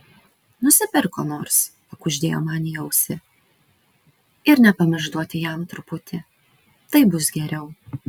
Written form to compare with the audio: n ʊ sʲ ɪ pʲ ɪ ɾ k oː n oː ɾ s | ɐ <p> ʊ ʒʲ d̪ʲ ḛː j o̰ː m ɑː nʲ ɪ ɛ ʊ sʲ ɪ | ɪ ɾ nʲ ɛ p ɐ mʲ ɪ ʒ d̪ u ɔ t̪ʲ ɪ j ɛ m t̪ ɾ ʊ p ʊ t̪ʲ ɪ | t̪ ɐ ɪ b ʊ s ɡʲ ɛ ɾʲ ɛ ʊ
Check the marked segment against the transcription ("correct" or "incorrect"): incorrect